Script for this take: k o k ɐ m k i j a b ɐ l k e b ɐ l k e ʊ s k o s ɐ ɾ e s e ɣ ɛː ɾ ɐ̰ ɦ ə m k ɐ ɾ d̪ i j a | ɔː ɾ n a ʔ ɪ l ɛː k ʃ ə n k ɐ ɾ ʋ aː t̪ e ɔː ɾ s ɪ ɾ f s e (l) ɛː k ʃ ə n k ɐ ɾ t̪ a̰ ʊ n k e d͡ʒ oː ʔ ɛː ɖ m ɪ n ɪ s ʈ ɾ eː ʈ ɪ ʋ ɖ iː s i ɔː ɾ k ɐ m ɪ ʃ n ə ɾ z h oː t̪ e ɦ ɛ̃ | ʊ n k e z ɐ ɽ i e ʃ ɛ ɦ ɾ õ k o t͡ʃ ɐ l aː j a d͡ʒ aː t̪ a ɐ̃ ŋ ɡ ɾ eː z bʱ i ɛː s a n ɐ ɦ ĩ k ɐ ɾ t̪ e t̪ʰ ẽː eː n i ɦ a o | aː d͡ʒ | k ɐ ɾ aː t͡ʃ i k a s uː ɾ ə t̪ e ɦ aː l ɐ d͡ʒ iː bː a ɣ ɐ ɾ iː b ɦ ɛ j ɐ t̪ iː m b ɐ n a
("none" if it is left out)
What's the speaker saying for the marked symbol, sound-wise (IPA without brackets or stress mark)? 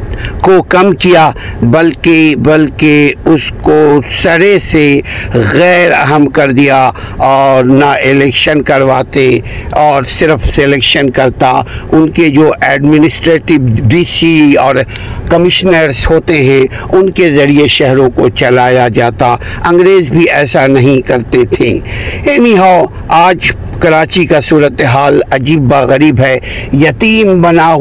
l